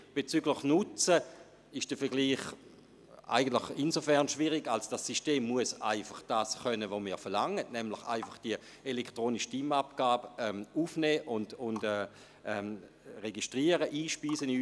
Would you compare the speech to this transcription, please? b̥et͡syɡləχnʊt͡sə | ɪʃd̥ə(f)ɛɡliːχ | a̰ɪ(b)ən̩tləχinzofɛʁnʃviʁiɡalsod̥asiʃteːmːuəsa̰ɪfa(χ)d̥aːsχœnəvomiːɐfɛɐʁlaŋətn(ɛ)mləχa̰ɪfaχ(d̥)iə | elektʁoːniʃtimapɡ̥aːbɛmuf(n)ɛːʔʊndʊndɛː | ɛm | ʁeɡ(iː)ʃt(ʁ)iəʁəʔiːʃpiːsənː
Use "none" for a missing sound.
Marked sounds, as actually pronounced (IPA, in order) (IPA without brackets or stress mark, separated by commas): f, ɡ, χ, ɛ, d̥, n, i, ʁ